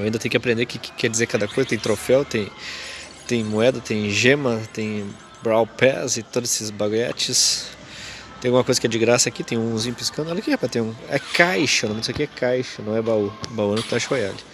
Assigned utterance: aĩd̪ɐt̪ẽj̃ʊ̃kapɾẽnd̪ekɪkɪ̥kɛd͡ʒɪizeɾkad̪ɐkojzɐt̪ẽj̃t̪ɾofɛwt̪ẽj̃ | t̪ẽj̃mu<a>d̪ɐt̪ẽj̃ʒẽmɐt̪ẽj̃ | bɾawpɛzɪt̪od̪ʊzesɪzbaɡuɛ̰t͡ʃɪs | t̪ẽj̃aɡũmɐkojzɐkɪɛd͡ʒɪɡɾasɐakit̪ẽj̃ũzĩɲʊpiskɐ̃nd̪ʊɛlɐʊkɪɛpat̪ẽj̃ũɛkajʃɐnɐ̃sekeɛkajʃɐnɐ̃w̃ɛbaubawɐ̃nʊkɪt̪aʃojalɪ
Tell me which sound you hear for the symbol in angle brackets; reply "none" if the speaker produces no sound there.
ɛ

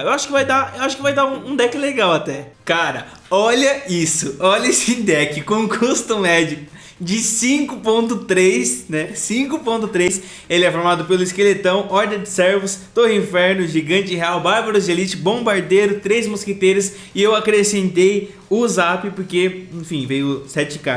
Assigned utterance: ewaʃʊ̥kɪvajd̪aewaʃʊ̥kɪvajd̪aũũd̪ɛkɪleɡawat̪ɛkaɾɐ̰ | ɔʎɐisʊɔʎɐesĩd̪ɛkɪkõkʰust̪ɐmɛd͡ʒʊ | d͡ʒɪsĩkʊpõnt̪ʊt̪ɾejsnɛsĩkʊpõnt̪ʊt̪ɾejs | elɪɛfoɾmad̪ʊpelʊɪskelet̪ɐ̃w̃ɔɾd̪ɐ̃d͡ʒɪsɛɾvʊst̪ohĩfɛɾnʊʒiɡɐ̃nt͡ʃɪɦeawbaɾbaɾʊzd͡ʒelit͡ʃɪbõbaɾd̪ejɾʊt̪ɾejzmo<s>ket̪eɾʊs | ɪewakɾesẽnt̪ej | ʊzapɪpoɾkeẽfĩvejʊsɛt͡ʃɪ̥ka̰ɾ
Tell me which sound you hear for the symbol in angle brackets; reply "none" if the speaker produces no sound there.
s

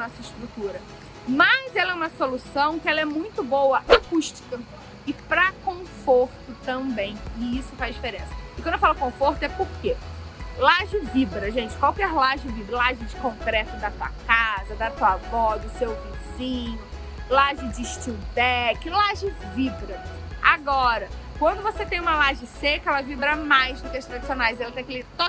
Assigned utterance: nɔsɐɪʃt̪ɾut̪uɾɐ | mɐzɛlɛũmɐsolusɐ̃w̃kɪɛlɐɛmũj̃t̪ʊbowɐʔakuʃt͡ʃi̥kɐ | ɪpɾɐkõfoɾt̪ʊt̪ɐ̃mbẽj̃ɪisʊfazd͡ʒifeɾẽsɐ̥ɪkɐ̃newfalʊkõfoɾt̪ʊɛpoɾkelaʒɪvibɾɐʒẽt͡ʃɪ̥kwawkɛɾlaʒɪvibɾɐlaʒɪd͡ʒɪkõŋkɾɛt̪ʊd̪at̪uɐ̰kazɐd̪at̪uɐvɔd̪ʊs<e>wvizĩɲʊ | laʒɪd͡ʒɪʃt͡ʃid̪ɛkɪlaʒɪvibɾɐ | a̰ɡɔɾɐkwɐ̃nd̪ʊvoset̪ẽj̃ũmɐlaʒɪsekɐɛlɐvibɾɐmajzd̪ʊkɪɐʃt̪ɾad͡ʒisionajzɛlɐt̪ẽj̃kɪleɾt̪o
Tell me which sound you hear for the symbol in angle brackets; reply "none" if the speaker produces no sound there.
e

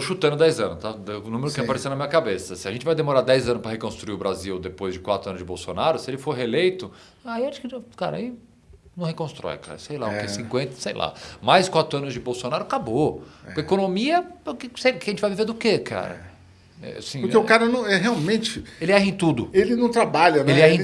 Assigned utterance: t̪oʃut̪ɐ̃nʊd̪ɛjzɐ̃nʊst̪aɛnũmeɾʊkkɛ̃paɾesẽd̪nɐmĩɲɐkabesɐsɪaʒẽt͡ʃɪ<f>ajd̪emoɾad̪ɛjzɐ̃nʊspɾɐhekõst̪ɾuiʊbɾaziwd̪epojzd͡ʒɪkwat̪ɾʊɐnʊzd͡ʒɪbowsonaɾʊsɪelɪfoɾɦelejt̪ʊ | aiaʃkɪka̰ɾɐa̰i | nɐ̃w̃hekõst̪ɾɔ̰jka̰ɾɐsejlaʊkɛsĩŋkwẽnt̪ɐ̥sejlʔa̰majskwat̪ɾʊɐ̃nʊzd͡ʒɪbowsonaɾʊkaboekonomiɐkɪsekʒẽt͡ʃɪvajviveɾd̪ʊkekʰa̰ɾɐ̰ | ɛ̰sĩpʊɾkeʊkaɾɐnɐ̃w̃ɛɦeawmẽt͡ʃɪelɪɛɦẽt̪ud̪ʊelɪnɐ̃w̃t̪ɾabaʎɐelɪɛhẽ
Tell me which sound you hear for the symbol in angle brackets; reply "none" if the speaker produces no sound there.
v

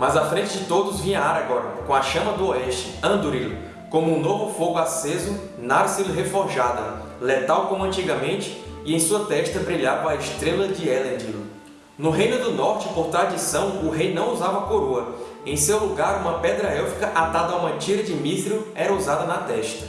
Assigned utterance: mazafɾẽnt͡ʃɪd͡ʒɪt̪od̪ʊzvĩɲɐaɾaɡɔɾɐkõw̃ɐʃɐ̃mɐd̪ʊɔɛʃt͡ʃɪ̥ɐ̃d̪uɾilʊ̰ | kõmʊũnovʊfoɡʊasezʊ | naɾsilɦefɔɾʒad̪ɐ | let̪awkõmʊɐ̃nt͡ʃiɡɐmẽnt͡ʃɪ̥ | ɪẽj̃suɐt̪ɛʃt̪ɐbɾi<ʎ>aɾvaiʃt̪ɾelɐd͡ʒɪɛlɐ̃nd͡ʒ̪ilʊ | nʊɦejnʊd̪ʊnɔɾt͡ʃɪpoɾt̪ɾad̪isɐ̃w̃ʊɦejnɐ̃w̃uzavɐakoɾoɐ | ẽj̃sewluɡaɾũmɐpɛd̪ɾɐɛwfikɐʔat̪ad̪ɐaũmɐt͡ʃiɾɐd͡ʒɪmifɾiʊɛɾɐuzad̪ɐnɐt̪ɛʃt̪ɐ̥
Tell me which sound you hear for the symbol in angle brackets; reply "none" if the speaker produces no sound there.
ʎ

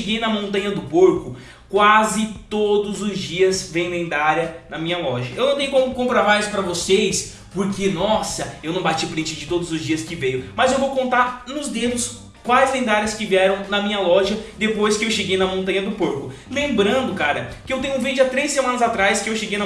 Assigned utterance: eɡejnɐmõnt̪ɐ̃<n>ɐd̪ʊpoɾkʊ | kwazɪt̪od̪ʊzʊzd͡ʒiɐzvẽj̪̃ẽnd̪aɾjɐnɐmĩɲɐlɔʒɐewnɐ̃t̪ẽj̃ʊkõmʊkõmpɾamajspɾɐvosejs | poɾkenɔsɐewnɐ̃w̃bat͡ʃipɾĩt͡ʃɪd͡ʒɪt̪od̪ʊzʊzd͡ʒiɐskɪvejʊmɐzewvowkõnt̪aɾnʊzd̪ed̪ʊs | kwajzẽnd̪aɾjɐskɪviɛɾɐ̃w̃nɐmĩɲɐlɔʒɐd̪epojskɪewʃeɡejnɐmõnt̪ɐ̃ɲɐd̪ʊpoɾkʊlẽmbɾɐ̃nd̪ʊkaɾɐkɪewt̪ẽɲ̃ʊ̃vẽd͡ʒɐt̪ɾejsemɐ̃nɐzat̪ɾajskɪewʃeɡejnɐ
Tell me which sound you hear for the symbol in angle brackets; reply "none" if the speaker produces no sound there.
ɲ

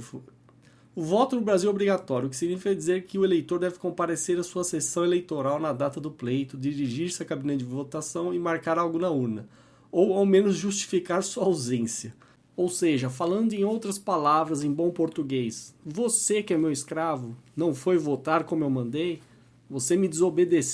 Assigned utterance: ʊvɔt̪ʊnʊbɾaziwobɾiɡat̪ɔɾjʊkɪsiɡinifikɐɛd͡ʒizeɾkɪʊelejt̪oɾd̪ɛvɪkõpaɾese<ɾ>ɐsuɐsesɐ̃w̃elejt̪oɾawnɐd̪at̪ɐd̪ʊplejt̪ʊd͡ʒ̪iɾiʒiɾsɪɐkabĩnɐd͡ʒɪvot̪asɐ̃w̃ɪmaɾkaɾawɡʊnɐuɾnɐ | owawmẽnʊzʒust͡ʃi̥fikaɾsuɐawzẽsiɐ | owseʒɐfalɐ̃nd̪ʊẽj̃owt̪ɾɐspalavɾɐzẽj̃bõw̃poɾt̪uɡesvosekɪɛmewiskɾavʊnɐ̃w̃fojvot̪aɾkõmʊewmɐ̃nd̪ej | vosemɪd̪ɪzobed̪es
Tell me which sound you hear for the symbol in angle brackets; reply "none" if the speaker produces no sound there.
ɾ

